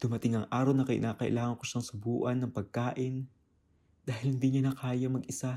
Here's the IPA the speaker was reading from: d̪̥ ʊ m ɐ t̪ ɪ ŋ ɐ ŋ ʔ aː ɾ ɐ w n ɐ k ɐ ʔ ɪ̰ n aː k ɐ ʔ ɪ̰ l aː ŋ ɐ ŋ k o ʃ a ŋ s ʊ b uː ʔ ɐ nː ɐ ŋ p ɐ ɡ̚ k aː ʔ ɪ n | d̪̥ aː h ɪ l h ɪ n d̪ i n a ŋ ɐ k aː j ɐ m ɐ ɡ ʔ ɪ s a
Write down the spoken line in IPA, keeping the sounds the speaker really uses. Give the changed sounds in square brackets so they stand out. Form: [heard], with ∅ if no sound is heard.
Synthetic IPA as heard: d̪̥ ʊ m ɐ t̪ ɪ ŋ ɐ ŋ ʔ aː ɾ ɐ w n ɐ k ɐ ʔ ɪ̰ n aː k ɐ ʔ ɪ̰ l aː ŋ ɐ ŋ k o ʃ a ŋ s ʊ b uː ʔ ɐ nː ɐ ŋ p ɐ ɡ̚ k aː ʔ ɪ n | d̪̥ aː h ɪ l h ɪ n d̪ i [ɲ] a [n] ɐ k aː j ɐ m ɐ ɡ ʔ ɪ s a